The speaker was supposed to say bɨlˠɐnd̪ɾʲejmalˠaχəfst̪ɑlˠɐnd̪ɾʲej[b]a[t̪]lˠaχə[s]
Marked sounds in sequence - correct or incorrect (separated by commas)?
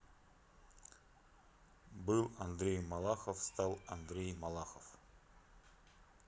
incorrect, incorrect, incorrect